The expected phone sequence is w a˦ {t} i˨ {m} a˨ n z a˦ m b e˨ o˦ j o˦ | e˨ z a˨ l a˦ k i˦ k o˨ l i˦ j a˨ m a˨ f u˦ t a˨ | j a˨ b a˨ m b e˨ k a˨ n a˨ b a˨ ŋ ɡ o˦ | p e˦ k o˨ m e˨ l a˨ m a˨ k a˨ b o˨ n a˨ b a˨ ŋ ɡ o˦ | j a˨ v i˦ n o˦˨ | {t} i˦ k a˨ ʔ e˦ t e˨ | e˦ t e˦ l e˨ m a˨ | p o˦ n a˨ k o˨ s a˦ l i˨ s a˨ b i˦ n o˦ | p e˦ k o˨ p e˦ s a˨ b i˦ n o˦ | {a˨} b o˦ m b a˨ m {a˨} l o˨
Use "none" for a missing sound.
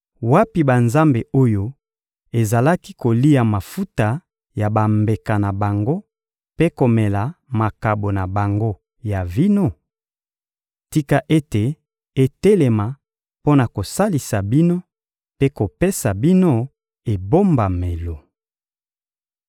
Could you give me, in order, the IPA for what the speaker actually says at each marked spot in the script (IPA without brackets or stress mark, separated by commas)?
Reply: p, b, t, e˨, e˨